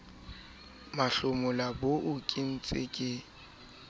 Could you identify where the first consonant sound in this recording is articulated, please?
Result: labial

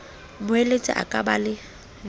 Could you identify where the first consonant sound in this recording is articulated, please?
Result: labial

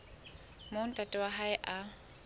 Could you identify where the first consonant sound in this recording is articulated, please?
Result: labial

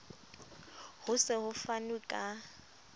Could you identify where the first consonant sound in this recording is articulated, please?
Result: glottal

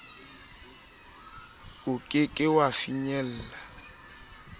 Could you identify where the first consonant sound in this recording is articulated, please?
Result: velar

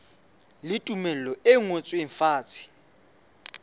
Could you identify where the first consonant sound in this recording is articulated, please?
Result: alveolar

